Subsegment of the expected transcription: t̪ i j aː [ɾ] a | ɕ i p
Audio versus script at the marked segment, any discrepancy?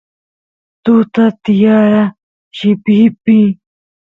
no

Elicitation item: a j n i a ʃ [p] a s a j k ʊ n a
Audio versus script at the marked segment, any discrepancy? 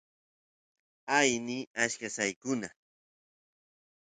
yes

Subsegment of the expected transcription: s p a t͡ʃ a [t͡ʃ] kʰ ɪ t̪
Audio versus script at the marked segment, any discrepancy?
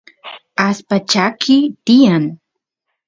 yes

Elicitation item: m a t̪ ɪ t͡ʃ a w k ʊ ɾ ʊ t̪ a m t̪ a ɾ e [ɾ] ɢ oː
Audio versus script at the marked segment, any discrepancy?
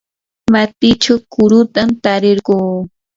no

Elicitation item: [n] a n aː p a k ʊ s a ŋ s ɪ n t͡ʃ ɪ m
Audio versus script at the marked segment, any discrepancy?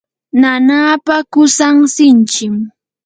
no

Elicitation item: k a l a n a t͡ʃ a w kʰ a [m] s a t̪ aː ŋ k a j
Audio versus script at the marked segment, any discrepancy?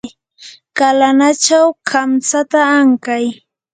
no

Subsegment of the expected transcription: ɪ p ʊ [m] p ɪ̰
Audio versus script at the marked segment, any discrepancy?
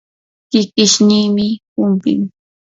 no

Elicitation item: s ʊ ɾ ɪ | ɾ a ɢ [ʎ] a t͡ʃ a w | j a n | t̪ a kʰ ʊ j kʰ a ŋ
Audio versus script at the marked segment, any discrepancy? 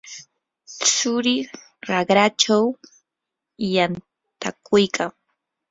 yes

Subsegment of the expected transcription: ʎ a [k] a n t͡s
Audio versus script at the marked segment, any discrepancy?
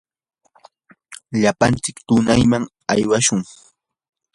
yes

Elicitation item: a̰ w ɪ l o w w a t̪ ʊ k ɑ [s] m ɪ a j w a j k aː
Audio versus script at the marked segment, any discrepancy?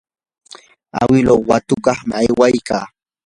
yes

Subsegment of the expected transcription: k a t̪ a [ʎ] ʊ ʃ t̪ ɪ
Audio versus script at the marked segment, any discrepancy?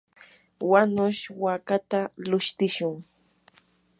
yes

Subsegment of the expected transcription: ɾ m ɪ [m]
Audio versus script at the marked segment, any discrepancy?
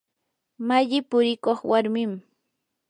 no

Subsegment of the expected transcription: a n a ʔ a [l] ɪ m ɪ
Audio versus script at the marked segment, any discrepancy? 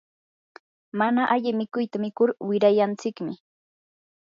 yes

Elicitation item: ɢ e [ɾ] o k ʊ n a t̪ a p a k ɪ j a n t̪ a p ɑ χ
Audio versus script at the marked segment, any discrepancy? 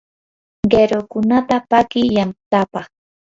no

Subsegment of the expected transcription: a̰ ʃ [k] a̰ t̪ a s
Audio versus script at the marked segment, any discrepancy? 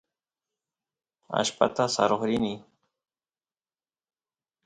yes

